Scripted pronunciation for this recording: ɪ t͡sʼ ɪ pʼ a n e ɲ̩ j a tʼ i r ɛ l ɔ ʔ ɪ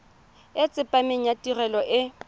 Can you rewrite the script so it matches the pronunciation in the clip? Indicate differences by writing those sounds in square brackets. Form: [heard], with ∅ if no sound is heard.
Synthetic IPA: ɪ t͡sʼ ɪ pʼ a [m] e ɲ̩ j a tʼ i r ɛ l ɔ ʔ ɪ